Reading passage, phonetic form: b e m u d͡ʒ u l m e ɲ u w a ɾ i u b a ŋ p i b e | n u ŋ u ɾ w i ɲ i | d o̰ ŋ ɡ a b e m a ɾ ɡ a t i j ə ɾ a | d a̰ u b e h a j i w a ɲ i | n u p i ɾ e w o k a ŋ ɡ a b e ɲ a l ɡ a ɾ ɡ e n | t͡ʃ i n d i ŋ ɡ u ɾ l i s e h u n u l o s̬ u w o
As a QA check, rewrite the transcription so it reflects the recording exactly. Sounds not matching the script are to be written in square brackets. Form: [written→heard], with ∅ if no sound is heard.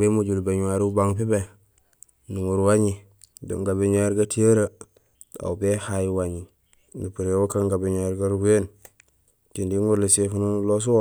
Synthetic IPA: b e m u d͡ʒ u l [m→b] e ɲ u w a ɾ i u b a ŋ p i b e | n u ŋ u ɾ w [i→a] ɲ i | d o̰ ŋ ɡ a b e [m→ɲ] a ɾ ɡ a t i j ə ɾ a | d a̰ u b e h a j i w a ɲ i | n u p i ɾ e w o k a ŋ ɡ a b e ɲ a [l→ɾ] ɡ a ɾ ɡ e n | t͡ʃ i n d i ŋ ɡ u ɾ l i s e [h→f] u n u l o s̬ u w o